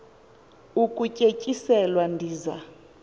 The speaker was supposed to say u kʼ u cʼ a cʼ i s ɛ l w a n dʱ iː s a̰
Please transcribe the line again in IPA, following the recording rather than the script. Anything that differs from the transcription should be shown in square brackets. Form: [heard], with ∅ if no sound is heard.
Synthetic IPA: u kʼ u cʼ [e] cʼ i s ɛ l w a n dʱ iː [z] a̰